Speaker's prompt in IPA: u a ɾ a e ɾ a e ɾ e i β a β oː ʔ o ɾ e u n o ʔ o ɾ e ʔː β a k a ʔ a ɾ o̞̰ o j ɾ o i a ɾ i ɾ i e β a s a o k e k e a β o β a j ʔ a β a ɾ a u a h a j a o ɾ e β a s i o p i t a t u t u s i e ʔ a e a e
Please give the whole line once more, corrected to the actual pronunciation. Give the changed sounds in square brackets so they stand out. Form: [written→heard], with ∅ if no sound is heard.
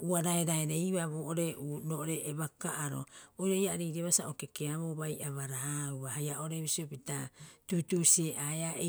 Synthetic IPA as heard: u a ɾ a e ɾ a e ɾ e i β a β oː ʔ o ɾ e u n o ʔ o ɾ e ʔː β a k a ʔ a ɾ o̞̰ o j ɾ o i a ɾ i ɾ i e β a s a o k e k e a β o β a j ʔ a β a ɾ a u a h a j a o ɾ e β [a→i] s i o p i t a t u t u s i e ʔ a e a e